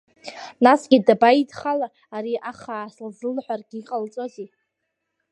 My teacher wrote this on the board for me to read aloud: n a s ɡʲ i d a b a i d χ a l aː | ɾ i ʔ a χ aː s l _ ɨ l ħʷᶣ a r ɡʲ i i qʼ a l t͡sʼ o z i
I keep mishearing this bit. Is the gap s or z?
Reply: z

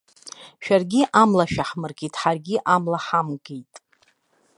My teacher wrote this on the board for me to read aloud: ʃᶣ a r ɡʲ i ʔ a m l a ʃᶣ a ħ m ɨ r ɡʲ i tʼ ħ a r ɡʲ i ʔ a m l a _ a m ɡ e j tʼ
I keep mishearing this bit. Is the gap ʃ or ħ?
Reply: ħ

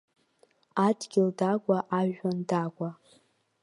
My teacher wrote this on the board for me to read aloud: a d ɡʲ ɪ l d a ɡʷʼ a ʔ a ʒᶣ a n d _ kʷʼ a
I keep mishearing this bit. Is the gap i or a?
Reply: a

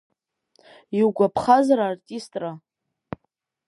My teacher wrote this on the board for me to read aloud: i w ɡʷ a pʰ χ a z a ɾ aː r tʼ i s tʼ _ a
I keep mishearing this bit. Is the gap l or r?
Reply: r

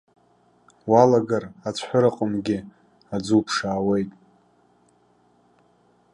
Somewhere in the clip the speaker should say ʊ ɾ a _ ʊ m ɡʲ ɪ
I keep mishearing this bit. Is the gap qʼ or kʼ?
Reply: qʼ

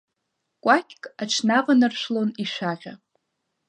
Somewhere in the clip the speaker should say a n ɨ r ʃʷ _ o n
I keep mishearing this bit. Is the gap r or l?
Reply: l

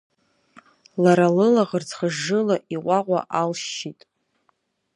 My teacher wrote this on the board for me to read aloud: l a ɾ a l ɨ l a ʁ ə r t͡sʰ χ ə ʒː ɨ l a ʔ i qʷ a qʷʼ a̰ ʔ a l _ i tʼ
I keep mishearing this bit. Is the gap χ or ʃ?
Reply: ʃ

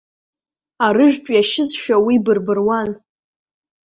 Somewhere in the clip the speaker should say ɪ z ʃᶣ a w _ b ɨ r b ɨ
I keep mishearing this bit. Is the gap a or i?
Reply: i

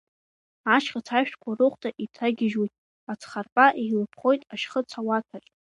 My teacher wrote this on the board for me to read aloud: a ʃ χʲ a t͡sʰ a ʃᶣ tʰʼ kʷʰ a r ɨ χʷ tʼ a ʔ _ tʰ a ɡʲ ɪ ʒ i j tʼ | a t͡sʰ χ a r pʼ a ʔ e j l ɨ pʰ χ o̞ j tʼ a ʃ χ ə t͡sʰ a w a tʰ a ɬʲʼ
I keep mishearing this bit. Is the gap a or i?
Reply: i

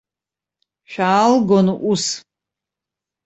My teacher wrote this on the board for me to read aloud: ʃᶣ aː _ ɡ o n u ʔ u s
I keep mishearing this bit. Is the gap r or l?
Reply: l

